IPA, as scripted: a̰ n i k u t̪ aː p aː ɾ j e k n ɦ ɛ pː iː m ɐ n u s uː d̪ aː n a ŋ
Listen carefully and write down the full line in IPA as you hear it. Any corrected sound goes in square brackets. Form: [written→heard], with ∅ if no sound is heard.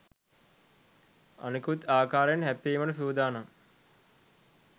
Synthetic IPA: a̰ n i k u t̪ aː [p→k] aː ɾ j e [k→∅] n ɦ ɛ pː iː m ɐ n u s uː d̪ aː n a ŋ